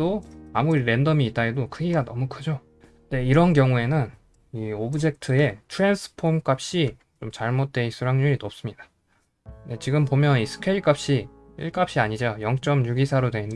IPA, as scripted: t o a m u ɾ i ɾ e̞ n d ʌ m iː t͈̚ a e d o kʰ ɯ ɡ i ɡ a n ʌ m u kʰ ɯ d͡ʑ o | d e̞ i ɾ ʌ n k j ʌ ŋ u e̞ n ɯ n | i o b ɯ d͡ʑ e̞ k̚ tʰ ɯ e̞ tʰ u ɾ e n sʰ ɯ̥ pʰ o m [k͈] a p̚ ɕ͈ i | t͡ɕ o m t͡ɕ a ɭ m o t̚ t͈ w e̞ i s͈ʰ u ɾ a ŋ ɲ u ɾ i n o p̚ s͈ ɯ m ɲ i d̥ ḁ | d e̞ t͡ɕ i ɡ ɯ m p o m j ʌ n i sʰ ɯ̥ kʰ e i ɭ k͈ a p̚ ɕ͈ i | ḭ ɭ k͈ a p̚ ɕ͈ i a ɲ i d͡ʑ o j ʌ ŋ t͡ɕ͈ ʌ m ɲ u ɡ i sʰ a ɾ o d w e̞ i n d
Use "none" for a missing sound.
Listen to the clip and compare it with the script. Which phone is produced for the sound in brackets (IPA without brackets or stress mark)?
k͈